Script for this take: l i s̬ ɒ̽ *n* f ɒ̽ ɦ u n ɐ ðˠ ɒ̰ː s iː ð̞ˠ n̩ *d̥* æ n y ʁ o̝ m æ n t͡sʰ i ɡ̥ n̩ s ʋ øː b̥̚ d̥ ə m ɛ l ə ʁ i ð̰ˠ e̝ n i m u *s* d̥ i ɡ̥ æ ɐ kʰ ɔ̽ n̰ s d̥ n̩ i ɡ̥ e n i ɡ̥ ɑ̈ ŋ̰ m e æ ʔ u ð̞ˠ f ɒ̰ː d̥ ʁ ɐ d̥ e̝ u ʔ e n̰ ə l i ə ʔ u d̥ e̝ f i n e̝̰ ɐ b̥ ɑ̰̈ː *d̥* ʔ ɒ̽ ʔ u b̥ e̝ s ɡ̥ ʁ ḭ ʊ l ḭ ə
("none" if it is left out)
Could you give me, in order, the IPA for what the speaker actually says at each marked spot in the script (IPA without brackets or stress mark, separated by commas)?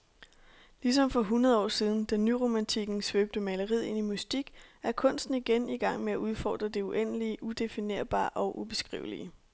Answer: m, d̥, s, none